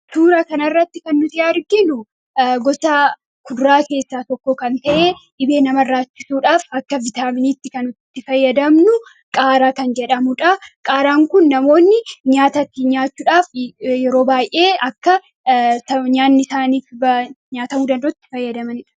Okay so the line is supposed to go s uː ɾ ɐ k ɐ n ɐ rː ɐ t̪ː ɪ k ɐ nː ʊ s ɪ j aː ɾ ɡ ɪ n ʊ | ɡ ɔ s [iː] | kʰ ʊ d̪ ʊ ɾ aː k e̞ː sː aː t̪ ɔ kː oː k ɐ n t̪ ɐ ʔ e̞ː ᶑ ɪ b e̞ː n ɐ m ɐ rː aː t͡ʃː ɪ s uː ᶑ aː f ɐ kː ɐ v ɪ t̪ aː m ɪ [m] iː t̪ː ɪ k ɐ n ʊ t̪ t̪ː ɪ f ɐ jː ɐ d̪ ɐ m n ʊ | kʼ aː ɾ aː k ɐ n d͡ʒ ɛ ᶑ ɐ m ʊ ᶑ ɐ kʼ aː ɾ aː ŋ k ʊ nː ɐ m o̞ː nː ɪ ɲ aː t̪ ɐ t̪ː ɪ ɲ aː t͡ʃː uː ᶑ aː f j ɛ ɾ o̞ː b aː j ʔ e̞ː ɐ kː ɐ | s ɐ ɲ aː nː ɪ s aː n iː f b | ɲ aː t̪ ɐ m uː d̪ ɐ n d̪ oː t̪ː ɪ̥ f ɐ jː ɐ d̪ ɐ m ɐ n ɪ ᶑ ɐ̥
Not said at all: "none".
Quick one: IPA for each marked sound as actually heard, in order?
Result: aː, n

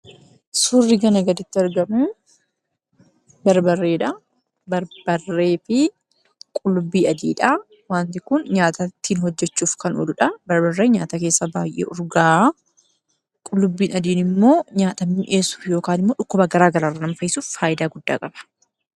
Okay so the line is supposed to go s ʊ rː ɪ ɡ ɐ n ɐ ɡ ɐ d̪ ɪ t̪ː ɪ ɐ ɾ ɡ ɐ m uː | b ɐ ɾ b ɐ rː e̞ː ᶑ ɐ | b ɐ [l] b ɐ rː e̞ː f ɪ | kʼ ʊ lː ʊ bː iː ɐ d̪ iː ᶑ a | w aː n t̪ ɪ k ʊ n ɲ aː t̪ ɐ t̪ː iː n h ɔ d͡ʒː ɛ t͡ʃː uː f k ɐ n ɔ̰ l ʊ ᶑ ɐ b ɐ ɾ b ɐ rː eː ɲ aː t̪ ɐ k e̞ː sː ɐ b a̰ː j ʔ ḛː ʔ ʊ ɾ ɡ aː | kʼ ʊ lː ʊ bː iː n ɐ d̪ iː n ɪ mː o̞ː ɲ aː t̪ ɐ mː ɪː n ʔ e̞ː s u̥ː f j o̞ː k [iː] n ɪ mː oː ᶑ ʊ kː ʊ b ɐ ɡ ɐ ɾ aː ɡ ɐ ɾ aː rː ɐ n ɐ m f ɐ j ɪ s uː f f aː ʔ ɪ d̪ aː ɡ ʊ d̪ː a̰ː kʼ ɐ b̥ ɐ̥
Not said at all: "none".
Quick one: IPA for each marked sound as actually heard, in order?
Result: ɾ, aː

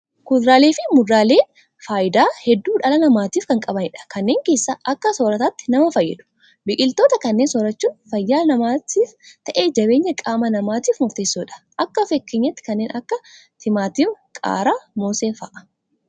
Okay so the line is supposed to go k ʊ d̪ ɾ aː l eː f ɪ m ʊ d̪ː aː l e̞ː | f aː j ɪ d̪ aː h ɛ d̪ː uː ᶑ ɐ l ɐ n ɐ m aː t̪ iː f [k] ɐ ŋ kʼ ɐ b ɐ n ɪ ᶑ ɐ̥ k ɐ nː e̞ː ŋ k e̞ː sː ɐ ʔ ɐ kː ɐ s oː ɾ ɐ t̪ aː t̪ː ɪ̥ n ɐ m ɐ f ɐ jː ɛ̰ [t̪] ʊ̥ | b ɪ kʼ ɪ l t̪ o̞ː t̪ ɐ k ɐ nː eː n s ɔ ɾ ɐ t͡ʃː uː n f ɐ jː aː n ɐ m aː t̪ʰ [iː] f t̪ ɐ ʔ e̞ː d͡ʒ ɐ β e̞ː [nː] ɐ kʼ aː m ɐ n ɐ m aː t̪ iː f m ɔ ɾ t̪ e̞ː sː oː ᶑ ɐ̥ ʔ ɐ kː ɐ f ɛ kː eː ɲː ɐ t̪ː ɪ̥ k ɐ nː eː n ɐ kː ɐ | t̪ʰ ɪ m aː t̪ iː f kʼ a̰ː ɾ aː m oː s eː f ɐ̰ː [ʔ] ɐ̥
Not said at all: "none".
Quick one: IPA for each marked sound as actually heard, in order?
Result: k, d̪, iː, ɲː, ʔ

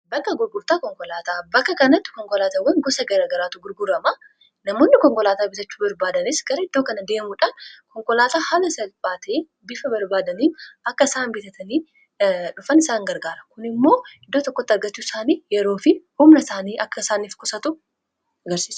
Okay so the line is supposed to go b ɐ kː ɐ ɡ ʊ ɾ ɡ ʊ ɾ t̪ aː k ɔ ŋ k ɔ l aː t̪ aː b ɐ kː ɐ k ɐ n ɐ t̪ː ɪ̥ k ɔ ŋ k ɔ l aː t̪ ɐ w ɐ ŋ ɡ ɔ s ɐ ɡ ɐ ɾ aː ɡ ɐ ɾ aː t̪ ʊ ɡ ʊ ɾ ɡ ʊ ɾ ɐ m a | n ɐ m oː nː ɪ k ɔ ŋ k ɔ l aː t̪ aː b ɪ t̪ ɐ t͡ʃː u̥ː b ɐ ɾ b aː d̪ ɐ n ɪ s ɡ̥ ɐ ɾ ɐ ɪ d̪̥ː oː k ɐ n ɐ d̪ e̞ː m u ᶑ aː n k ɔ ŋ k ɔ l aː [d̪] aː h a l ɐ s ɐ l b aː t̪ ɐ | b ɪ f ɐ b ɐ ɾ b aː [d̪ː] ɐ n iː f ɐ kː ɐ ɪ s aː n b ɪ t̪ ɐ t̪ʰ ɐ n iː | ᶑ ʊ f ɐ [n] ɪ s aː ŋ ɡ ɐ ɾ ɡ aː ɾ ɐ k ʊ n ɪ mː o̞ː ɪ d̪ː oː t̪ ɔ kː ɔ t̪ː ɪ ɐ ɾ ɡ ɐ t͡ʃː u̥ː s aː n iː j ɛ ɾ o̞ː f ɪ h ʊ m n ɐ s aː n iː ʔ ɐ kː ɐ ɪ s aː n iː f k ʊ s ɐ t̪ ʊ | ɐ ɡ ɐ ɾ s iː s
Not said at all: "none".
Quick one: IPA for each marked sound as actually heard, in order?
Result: t̪, d̪, n

